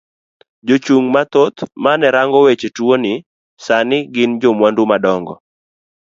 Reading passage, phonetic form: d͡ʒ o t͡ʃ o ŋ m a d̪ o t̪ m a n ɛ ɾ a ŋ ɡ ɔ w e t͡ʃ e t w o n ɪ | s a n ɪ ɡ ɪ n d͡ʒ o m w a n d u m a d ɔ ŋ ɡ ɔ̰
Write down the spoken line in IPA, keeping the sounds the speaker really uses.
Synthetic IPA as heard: d͡ʒ o t͡ʃ u ŋ m a t̪ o t̪ m a n ɛ ɾ a ŋ ɡ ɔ w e t͡ʃ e t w o n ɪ | s a n ɪ ɡ ɪ n d͡ʒ o m w a n d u m a d ɔ ŋ ɡ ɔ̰